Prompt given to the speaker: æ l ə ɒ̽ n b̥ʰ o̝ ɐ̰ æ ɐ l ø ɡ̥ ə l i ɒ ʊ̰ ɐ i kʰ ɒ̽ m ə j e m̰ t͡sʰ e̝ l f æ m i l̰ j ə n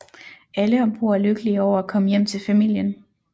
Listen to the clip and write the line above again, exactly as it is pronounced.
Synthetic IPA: æ l ə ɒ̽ m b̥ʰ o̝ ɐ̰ æ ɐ l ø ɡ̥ ə l i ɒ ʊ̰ ɐ æ kʰ ɒ̽ m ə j e m̰ t͡sʰ e̝ l f æ m i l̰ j ə n